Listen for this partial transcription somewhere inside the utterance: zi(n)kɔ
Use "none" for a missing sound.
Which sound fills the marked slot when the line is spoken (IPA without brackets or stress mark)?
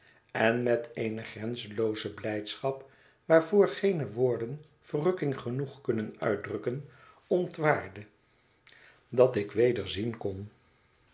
n